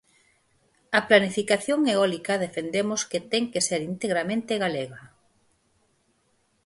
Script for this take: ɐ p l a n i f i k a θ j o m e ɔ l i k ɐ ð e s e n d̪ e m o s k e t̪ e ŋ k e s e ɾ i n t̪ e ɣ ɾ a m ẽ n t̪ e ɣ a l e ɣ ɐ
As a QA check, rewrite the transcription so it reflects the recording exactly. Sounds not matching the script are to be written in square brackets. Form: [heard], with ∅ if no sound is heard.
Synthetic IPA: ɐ p l a n i f i k a θ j o [ŋ] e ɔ l i k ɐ ð e [f] e n d̪ e m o s k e t̪ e ŋ k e s e ɾ i n t̪ e ɣ ɾ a m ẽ n t̪ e ɣ a l e ɣ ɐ